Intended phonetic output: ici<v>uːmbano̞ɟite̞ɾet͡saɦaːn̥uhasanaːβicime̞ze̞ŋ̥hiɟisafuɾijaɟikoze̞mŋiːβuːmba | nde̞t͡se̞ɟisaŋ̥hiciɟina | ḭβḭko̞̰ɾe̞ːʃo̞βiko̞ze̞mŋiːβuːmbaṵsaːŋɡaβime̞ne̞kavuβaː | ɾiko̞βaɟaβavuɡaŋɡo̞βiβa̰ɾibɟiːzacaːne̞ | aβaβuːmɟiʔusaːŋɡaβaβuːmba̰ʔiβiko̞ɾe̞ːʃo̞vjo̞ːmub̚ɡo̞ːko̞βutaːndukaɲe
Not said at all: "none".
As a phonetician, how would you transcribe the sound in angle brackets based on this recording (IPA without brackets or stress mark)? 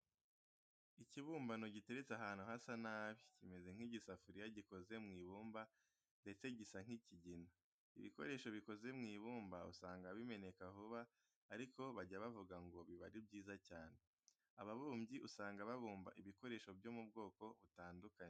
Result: β